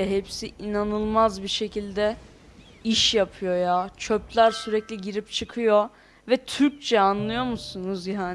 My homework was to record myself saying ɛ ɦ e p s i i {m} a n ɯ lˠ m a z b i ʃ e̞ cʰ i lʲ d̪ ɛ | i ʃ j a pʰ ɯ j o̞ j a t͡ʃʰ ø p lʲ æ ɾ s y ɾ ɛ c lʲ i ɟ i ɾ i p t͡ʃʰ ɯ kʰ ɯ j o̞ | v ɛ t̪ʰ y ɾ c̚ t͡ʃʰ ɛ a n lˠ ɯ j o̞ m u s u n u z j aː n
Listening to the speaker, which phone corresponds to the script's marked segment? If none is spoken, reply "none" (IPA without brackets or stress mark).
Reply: n